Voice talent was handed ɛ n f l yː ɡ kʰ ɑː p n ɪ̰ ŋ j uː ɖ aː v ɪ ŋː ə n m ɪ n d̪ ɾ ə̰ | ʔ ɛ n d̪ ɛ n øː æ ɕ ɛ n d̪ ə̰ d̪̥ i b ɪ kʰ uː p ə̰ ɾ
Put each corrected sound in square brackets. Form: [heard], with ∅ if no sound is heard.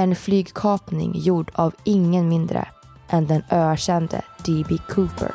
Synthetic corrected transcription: ɛ n f l yː ɡ kʰ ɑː p n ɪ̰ ŋ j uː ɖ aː v ɪ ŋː ə n m ɪ n d̪ ɾ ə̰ | ʔ ɛ n d̪ ɛ n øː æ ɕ ɛ n d̪ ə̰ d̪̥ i b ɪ kʰ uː p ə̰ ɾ